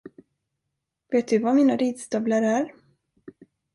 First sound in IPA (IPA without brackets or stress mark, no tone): v